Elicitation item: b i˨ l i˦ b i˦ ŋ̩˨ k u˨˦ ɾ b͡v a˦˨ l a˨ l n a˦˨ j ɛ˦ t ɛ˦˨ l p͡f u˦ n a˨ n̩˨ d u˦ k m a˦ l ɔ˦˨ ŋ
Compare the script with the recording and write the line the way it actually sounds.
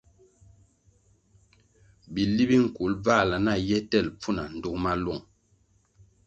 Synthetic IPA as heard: b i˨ l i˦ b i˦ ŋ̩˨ k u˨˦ l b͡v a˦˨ l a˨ n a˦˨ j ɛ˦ t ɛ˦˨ l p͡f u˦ n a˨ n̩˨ d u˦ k m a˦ l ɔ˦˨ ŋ